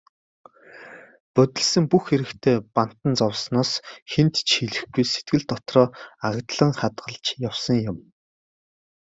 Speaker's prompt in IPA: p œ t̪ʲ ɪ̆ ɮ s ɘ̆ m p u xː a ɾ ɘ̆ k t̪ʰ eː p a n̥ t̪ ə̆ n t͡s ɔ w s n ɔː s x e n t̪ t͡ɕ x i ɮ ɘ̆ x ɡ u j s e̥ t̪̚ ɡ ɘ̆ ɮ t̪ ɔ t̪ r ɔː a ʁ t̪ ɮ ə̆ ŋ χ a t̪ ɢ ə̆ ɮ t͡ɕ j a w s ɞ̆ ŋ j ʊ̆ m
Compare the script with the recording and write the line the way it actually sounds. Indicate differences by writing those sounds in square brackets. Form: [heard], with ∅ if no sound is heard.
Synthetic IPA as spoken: p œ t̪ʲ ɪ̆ ɮ s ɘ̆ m p u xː [e] ɾ ɘ̆ k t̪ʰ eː p a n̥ t̪ ə̆ n t͡s ɔ w s n ɔː s x e n t̪ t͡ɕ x i ɮ ɘ̆ x ɡ u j s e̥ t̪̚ ɡ ɘ̆ ɮ t̪ ɔ t̪ r ɔː a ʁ t̪ ɮ ə̆ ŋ χ a t̪ ɢ ə̆ ɮ t͡ɕ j a w s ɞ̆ ŋ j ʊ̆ m

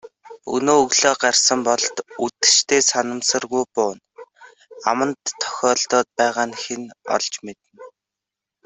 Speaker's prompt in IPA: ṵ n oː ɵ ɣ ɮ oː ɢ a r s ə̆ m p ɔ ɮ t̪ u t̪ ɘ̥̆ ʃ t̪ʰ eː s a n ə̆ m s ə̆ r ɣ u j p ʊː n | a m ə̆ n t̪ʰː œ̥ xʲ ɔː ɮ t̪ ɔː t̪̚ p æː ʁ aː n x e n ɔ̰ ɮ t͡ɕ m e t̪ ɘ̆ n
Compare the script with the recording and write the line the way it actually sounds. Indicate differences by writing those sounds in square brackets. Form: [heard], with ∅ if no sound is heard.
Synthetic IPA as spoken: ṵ n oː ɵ ɣ ɮ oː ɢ a r s ə̆ m p ɔ ɮ t̪ u t̪ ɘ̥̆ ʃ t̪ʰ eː s a n ə̆ m s ə̆ r ɣ u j p ʊː n | a m ə̆ n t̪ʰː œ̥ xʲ ɔː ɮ t̪ ɔː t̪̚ p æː ʁ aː n x e n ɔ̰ ɮ t͡ɕ m e t̪ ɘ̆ n

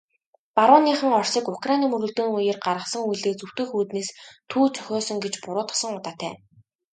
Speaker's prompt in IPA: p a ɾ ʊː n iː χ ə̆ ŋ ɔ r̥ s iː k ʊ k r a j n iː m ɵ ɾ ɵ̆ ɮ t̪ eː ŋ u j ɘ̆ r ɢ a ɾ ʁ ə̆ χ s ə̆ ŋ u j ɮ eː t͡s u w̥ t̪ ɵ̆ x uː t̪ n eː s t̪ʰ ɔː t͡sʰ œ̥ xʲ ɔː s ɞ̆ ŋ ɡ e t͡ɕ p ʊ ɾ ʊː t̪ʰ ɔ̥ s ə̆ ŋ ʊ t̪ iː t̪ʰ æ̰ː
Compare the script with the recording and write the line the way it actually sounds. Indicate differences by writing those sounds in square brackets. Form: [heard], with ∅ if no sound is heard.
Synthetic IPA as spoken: p a ɾ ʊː n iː χ ə̆ ŋ ɔ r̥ s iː k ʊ k r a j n iː m ɵ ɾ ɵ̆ ɮ t̪ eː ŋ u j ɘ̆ r ɢ a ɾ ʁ ə̆ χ s ə̆ ŋ u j ɮ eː t͡s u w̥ t̪ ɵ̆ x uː t̪ n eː s t̪ʰ [uː] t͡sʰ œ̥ xʲ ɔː s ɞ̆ ŋ ɡ e t͡ɕ p ʊ ɾ ʊː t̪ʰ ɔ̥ s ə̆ ŋ ʊ t̪ [aː] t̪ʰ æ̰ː

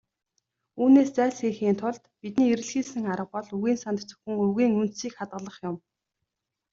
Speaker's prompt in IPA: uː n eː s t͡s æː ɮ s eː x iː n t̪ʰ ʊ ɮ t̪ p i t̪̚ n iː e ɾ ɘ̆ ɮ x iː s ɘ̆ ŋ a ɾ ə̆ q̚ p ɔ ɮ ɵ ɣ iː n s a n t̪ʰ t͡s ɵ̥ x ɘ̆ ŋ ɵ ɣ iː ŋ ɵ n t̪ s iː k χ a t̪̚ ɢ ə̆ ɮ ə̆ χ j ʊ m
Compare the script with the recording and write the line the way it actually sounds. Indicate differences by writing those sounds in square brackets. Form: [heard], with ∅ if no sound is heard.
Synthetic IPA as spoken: uː n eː s t͡s æː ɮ s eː x iː n t̪ʰ ʊ ɮ t̪ p i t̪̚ n iː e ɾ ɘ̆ ɮ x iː s ɘ̆ ŋ a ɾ ə̆ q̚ p ɔ ɮ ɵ ɣ iː n s a n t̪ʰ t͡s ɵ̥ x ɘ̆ ŋ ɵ ɣ iː ŋ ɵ n t̪ s iː k χ a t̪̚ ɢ ə̆ ɮ ə̆ χ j ʊ m

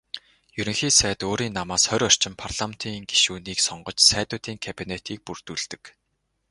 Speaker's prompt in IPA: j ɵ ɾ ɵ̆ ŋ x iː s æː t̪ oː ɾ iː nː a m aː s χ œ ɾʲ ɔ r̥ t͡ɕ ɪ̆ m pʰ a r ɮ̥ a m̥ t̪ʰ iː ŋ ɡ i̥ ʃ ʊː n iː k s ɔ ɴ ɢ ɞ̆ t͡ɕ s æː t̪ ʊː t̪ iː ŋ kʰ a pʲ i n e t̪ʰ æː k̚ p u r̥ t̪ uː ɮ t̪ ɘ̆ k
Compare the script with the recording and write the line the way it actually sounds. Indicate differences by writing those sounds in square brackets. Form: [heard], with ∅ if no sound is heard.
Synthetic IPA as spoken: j ɵ ɾ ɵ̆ ŋ x iː s æː t̪ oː ɾ iː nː a m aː s χ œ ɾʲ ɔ r̥ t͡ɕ ɪ̆ m pʰ a r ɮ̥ a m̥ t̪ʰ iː ŋ ɡ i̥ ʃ [uː] n iː k s ɔ ɴ ɢ ɞ̆ t͡ɕ s æː t̪ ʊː t̪ iː ŋ kʰ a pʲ i n e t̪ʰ [iː] k̚ p u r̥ t̪ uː ɮ t̪ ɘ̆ k

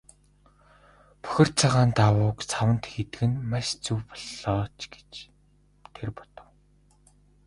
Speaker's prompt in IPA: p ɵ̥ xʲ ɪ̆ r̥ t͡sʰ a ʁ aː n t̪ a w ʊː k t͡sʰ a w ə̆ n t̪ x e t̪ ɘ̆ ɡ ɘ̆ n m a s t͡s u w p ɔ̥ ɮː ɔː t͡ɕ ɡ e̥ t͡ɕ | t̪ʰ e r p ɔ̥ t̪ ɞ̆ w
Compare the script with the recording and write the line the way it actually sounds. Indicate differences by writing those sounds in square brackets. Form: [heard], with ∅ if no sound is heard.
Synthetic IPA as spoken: p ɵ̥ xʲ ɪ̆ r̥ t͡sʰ a ʁ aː n t̪ a w ʊː k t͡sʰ a w ə̆ n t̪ x e t̪ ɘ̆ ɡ ɘ̆ n m a [ʃ] t͡s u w p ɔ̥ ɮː ɔː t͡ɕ ɡ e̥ t͡ɕ | t̪ʰ e r p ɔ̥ t̪ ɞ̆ w

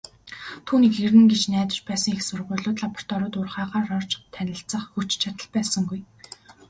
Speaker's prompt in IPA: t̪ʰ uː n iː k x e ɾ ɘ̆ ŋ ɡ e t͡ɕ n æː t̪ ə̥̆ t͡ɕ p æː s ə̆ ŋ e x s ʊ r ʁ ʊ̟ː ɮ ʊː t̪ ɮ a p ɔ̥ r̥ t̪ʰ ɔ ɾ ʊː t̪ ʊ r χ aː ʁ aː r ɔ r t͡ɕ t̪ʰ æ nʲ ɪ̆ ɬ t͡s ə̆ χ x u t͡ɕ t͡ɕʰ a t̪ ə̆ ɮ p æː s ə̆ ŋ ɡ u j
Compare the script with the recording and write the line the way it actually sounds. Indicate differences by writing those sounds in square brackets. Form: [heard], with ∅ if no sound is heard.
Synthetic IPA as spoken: t̪ʰ uː n iː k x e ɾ ɘ̆ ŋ ɡ e t͡ɕ n æː t̪ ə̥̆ t͡ɕ p æː s ə̆ ŋ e x s ʊ r ʁ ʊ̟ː ɮ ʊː t̪ ɮ a p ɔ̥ r̥ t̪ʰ ɔ ɾ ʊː t̪ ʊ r χ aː ʁ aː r ɔ r t͡ɕ t̪ʰ æ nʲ ɪ̆ ɬ t͡s ə̆ χ x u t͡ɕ t͡ɕʰ a t̪ ə̆ ɮ p æː s ə̆ ŋ ɡ u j

